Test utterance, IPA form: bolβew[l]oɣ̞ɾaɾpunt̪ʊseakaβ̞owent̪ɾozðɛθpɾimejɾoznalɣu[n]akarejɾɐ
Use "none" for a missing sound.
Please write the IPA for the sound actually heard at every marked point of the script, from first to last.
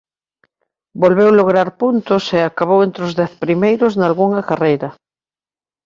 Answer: l, ŋ

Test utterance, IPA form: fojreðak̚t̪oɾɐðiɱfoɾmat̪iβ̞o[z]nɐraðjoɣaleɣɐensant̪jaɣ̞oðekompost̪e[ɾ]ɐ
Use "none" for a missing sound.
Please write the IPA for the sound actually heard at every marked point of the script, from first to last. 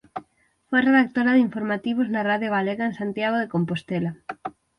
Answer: z, l

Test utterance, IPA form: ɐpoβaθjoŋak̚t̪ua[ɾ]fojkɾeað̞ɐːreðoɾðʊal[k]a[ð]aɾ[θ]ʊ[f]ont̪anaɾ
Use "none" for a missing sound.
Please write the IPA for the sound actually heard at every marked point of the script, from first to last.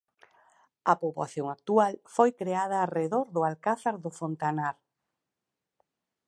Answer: l, k, θ, ð, f

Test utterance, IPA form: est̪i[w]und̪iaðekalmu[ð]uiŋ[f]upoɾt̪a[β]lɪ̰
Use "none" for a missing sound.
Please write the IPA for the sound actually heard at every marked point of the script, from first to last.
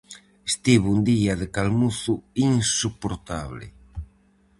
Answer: β, θ, s, β

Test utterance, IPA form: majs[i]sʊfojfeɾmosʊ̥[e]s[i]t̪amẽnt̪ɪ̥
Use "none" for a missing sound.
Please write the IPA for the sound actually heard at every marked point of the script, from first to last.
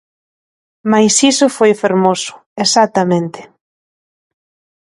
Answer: i, e, a

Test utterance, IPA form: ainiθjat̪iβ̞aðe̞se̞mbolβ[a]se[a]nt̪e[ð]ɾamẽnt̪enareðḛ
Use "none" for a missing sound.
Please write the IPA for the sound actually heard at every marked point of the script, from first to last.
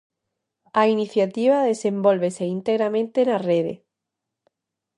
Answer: e, i, ɣ

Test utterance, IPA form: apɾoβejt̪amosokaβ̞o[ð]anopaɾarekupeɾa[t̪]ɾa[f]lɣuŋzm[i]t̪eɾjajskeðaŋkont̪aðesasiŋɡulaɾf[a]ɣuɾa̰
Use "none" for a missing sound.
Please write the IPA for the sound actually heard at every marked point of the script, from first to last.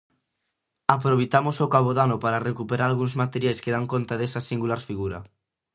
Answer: ð, none, none, a, i

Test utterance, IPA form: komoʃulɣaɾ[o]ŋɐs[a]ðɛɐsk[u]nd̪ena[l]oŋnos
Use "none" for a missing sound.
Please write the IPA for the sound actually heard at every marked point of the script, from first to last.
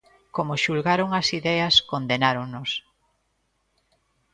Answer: o, i, o, ɾ

